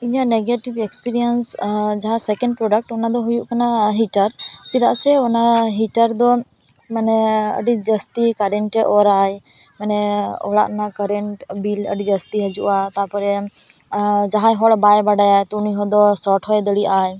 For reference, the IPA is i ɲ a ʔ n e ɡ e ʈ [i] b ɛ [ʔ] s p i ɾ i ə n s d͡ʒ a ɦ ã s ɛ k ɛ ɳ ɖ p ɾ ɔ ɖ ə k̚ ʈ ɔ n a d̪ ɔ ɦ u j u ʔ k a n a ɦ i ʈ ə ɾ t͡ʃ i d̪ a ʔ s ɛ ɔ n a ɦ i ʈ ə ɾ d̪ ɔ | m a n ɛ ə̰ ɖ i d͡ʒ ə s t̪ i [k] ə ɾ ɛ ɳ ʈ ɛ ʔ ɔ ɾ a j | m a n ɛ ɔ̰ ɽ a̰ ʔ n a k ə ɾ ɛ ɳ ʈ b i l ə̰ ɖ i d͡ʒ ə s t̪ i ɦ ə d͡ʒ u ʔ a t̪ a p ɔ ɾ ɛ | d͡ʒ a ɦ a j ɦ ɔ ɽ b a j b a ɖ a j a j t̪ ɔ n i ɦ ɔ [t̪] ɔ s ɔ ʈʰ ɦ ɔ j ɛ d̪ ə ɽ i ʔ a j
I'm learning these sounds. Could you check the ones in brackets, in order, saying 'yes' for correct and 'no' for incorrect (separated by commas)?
yes, no, yes, no